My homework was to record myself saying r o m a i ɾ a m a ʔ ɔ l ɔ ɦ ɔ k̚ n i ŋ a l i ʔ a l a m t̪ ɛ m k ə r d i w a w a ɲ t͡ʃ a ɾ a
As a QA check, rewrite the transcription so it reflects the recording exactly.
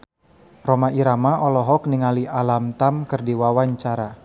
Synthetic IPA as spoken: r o m a i ɾ a m a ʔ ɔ l ɔ ɦ ɔ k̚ n i ŋ a l i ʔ a l a m t̪ a m k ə r d i w a w a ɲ t͡ʃ a ɾ a